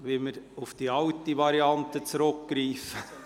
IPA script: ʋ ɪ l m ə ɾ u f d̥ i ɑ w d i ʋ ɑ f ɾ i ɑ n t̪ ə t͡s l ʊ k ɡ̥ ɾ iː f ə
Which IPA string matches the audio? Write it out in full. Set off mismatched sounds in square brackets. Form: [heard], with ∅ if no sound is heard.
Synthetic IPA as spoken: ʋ ɪ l m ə ɾ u f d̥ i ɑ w [t] i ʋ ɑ [∅] ɾ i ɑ n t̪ ə t͡s [ɾ] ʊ k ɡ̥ ɾ iː f ə